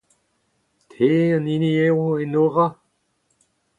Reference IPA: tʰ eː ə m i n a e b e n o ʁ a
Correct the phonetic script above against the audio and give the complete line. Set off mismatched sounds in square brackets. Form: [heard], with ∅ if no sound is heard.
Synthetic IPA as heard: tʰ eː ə [n] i n [i] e [w] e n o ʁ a